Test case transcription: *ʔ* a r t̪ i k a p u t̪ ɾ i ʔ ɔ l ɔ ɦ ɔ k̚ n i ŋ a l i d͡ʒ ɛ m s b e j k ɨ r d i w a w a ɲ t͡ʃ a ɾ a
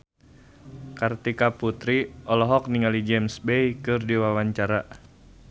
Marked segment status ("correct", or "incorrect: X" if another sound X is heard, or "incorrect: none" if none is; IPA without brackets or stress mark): incorrect: k